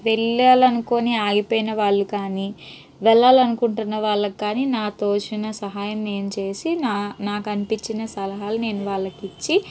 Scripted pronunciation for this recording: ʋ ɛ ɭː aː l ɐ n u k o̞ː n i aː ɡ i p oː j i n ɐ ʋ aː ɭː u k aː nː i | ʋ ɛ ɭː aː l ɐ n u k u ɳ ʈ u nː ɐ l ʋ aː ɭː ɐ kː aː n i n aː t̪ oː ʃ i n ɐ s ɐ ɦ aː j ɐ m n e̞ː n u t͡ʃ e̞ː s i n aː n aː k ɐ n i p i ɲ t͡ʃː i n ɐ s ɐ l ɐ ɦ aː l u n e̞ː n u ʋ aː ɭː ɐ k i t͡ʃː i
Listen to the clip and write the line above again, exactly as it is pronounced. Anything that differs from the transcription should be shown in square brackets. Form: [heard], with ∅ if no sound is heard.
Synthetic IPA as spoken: ʋ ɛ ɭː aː l ɐ n u k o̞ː n i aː ɡ i p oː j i n ɐ ʋ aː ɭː u k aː [n] i | ʋ ɛ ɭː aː l ɐ n u k u ɳ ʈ u nː ɐ [∅] ʋ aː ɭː ɐ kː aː n i n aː t̪ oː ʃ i n ɐ s ɐ ɦ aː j ɐ m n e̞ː n u t͡ʃ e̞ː s i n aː n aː k ɐ n i p i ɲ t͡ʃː i n ɐ s ɐ l ɐ ɦ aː l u n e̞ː n u ʋ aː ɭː ɐ k i t͡ʃː i

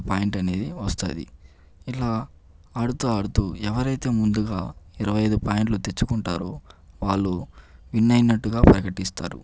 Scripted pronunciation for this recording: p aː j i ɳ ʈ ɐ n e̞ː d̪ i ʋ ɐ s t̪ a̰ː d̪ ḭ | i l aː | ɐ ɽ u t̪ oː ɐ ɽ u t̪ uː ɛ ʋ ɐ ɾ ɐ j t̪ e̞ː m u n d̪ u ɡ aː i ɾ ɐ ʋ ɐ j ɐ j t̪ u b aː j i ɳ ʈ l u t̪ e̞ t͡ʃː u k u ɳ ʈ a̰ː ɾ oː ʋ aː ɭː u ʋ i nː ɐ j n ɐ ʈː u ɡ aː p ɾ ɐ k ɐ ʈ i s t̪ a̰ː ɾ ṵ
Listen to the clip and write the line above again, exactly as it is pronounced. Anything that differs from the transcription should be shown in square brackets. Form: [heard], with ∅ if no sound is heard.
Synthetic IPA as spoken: p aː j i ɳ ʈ ɐ n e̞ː d̪ i ʋ ɐ s t̪ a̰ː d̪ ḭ | i l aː | ɐ ɽ u t̪ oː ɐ ɽ u t̪ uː ɛ ʋ ɐ ɾ ɐ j t̪ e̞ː m u n d̪ u ɡ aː i ɾ ɐ ʋ ɐ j ɐ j [d̪] u [p] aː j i ɳ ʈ l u t̪ e̞ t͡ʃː u k u ɳ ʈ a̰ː ɾ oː ʋ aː ɭː u ʋ i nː ɐ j n ɐ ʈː u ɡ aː p ɾ ɐ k ɐ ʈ i s t̪ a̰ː ɾ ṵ

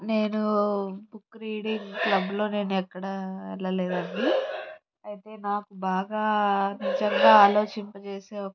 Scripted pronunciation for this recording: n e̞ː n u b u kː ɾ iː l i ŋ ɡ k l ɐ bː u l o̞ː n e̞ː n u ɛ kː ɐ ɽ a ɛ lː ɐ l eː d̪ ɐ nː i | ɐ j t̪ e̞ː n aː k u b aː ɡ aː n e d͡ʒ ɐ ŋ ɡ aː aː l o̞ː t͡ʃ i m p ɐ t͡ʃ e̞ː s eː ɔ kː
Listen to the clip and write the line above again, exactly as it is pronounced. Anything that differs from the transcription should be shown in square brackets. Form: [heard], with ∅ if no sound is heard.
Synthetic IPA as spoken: n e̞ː n u b u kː ɾ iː [ɽ] i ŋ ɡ k l ɐ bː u l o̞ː n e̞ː n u ɛ kː ɐ ɽ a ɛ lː ɐ l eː d̪ ɐ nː i | ɐ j t̪ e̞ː n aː k u b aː ɡ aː n [i] d͡ʒ ɐ ŋ ɡ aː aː l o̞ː t͡ʃ i m p ɐ t͡ʃ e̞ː s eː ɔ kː

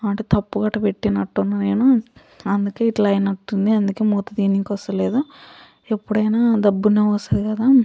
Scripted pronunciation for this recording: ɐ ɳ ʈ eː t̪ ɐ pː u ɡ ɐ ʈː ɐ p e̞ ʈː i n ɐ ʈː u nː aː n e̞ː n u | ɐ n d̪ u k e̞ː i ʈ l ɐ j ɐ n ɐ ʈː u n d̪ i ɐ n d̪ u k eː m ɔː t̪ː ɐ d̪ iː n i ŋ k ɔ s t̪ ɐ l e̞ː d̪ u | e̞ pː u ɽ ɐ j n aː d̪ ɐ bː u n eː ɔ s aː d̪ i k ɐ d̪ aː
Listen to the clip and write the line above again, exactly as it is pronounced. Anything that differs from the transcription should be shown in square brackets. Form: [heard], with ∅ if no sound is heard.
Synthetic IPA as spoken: ɐ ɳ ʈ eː t̪ ɐ pː u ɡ ɐ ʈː ɐ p e̞ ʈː i n ɐ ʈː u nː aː n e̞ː n u | ɐ n d̪ u k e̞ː i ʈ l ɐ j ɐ n ɐ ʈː u n d̪ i ɐ n d̪ u k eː m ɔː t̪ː ɐ d̪ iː n i ŋ k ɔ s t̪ ɐ l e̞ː d̪ u | e̞ pː u ɽ ɐ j n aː d̪ ɐ bː u n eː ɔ s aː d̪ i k ɐ d̪ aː

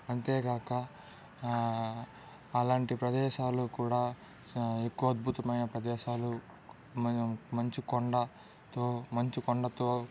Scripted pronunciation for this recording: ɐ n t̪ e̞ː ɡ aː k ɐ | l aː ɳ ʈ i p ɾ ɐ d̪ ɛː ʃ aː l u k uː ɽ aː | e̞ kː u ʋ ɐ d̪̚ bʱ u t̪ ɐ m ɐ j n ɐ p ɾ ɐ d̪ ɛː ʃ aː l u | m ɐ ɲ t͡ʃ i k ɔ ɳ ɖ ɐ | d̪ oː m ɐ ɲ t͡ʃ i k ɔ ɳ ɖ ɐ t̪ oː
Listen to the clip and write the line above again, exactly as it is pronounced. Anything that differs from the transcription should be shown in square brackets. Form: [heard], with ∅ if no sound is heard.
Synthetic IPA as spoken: ɐ n t̪ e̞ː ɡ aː k ɐ | l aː ɳ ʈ i p ɾ ɐ d̪ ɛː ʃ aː l u k uː ɽ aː | e̞ kː u ʋ ɐ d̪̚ bʱ u t̪ ɐ m ɐ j n ɐ p ɾ ɐ d̪ ɛː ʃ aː l u | m ɐ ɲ t͡ʃ i k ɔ ɳ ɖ ɐ | [t̪] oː m ɐ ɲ t͡ʃ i k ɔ ɳ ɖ ɐ t̪ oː

